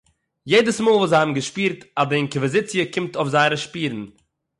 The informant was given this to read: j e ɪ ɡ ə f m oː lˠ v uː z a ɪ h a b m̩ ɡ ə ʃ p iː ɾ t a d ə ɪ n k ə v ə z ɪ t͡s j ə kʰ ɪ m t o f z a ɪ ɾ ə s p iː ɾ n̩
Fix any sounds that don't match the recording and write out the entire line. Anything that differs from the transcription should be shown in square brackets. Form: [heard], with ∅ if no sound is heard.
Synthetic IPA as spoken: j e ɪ [d] ə [s] m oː lˠ v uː z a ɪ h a b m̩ ɡ ə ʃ p iː ɾ t a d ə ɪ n k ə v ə z ɪ t͡s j ə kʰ ɪ m t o f z a ɪ ɾ ə [ʃ] p iː ɾ n̩